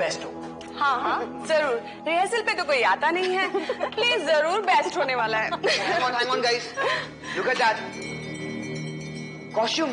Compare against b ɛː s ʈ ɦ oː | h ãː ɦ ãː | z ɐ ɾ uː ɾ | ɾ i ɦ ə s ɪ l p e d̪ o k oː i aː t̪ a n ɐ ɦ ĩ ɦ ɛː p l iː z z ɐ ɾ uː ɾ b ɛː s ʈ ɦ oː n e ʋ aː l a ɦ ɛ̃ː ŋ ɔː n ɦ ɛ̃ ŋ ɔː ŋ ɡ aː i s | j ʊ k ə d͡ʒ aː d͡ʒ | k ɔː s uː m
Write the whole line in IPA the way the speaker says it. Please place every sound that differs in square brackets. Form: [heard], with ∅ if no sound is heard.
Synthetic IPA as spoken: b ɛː s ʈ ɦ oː | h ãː ɦ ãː | z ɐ ɾ uː ɾ | ɾ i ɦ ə s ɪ l p e [t̪] o k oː i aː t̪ a n ɐ ɦ ĩ ɦ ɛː p l iː z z ɐ ɾ uː ɾ b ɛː s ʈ ɦ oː n e ʋ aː l a ɦ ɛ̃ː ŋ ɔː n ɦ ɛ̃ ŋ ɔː [n] ɡ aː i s | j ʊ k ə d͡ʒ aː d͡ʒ | k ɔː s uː m